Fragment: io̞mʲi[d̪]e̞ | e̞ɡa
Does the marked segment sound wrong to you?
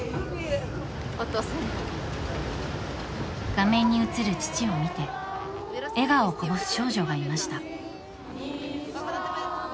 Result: yes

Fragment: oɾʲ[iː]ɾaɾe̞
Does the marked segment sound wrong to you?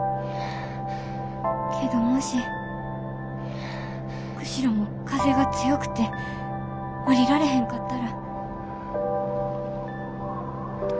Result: yes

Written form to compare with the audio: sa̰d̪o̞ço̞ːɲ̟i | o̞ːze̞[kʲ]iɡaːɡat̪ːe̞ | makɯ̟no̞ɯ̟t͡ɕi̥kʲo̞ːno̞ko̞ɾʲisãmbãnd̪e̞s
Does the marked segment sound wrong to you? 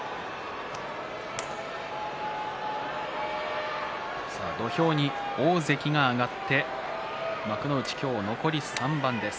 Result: no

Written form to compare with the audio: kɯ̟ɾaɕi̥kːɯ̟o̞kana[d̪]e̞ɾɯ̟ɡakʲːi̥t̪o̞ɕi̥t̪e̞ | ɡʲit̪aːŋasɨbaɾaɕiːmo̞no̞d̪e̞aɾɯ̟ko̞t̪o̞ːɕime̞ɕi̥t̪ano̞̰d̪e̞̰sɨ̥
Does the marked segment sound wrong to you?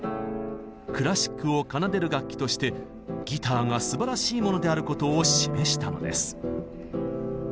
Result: no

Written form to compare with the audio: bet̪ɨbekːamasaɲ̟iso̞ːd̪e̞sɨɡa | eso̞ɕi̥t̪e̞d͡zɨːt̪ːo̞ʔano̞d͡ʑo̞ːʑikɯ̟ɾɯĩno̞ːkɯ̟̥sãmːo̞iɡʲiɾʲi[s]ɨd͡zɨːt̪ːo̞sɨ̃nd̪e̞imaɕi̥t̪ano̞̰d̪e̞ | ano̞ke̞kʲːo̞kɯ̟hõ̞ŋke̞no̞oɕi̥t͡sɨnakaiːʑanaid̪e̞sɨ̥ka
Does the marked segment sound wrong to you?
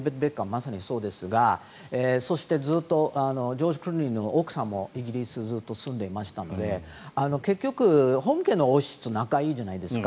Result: no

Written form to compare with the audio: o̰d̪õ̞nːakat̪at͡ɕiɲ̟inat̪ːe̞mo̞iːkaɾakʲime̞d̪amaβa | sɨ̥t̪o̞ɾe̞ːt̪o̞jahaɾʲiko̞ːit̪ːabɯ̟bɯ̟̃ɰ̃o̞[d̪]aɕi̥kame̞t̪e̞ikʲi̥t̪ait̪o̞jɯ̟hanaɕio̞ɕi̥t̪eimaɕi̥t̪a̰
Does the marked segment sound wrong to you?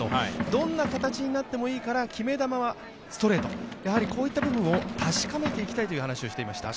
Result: yes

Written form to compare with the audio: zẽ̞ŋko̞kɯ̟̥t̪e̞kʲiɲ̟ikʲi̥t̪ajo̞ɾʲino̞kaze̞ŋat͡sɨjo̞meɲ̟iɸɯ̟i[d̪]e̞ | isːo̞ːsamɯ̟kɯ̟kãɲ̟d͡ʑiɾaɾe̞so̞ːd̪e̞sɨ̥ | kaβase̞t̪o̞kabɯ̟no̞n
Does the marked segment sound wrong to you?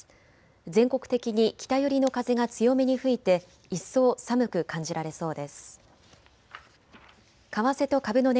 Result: yes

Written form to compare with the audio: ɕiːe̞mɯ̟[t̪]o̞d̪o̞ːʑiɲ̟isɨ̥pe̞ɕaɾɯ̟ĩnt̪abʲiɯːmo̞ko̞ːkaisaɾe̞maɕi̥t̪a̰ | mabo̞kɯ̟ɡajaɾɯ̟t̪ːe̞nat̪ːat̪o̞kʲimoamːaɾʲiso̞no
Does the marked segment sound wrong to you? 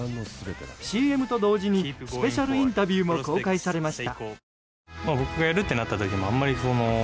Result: no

